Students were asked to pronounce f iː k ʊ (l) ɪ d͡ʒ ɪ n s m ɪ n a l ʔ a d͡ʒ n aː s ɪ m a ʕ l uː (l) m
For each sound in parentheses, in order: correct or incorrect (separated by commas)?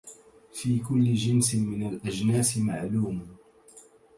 incorrect, incorrect